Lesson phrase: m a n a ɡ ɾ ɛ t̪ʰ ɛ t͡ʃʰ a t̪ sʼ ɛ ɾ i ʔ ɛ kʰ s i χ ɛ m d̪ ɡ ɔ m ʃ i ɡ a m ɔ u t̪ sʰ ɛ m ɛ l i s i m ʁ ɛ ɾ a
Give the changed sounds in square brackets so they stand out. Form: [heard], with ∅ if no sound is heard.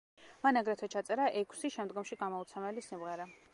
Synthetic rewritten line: m a n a ɡ ɾ ɛ t̪ʰ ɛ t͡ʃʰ a t̪ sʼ ɛ ɾ [a] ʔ ɛ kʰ s i [ʃ] ɛ m d̪ ɡ ɔ m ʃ i ɡ a m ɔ u t̪ sʰ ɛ m ɛ l i s i m ʁ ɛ ɾ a